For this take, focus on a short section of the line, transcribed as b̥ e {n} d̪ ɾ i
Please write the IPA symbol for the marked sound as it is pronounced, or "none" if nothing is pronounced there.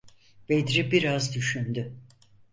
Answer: none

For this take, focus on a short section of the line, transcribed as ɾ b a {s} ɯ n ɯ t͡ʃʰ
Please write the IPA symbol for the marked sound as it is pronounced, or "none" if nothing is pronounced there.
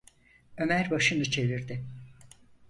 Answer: ʃ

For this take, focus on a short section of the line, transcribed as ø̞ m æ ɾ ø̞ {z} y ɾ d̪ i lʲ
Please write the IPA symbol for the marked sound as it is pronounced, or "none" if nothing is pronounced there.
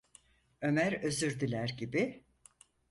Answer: z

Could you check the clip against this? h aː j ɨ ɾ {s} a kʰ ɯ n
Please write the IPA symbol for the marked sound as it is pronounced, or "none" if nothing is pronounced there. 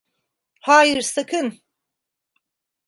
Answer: s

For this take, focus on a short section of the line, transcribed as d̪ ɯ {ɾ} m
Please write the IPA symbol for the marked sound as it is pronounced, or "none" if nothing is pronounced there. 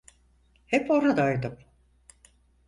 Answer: none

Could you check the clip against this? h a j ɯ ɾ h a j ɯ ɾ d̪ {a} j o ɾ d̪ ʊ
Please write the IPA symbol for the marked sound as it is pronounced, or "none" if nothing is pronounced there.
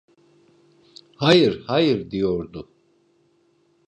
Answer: i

